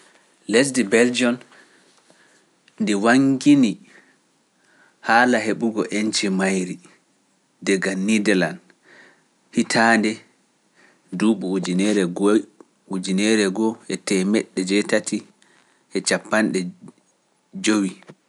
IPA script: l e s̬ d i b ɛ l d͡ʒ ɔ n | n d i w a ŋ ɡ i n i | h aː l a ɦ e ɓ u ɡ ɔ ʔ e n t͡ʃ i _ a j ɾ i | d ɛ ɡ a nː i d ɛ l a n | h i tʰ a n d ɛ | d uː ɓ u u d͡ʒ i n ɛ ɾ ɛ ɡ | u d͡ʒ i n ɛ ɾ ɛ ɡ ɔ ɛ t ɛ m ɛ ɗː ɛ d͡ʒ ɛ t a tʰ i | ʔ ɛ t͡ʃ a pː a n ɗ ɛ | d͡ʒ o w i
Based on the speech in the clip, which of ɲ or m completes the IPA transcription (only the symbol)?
m